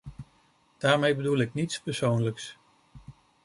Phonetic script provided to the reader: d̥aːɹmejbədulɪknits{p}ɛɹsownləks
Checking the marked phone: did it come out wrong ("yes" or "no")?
no